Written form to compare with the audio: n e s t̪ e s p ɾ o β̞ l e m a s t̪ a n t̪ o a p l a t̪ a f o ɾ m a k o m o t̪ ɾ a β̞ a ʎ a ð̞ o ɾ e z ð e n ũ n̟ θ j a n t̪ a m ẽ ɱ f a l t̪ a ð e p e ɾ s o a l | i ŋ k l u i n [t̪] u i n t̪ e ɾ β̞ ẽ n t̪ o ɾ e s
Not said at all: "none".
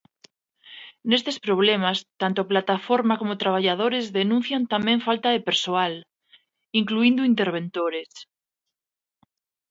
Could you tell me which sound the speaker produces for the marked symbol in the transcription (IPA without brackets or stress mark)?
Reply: d̪